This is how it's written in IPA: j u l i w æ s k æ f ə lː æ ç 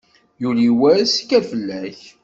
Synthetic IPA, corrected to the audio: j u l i w æ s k æ f ə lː æ ç